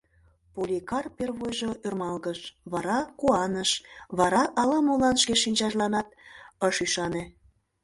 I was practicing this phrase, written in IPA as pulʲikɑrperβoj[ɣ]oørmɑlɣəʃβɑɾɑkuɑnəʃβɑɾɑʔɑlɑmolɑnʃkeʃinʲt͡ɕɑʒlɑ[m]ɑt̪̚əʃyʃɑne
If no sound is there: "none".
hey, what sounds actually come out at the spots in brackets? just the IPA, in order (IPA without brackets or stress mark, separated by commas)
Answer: ʒ, n